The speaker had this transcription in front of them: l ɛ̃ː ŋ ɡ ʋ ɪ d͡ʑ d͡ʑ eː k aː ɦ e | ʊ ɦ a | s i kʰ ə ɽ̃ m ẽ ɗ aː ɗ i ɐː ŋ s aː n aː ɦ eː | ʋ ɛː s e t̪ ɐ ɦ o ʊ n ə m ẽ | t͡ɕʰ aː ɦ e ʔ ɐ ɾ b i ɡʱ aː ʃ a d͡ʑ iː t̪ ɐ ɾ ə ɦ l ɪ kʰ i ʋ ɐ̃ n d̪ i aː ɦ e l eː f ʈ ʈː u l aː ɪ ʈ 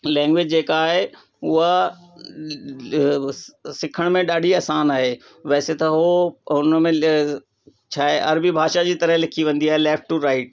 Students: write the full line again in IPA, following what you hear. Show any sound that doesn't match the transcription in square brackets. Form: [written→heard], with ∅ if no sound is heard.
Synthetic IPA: l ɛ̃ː ŋ ɡ ʋ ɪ d͡ʑ d͡ʑ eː k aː ɦ e | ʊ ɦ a | s [i→ɪ] kʰ ə ɽ̃ m ẽ ɗ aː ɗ i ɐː [ŋ→∅] s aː n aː ɦ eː | ʋ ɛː s e t̪ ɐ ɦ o ʊ n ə m ẽ | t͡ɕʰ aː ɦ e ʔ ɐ ɾ b i [ɡʱ→bʱ] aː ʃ a d͡ʑ iː t̪ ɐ ɾ ə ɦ l ɪ kʰ i ʋ ɐ̃ n d̪ i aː ɦ e l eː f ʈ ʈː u [l→ɾ] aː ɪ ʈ